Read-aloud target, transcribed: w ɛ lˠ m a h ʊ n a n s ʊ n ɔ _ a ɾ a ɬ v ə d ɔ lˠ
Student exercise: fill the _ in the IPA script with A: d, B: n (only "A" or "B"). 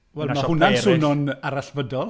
B